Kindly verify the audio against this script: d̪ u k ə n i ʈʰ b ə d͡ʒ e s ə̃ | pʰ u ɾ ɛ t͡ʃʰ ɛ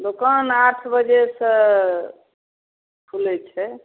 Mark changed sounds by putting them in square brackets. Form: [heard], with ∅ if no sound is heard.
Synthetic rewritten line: d̪ [o] k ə n [a] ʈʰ b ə d͡ʒ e s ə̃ | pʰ u [l] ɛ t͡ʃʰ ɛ